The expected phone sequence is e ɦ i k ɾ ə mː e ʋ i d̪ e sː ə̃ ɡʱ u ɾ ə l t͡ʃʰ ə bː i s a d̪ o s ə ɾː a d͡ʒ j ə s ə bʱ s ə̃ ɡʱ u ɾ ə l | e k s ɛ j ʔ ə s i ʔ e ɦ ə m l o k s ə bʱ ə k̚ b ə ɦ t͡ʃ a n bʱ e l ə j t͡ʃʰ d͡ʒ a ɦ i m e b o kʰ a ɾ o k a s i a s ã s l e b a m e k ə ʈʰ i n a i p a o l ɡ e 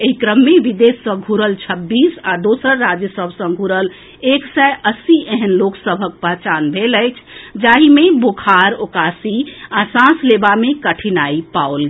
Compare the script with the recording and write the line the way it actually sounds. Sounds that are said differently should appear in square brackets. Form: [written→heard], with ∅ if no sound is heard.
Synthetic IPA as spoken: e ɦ i k ɾ ə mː e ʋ i d̪ e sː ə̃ ɡʱ u ɾ ə l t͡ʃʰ ə bː i s a d̪ o s ə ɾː a d͡ʒ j ə s ə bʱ s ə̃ ɡʱ u ɾ ə l | e k s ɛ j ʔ ə s i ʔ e ɦ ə [m→n] l o k s ə bʱ ə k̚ [b→p] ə ɦ t͡ʃ a n bʱ e l ə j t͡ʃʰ d͡ʒ a ɦ i m e b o kʰ a ɾ o k a s i a s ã s l e b a m e k ə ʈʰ i n a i p a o l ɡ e